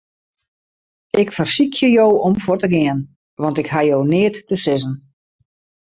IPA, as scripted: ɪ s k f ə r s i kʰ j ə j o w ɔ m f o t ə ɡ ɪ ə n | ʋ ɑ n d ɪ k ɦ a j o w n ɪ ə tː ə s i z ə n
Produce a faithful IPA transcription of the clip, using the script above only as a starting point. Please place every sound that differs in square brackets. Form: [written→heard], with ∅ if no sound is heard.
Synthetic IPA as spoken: ɪ [s→∅] k f ə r s i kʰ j ə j o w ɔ m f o t ə ɡ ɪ ə n | ʋ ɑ n [d→t] ɪ k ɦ a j o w n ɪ ə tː ə s [i→ɪ] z ə n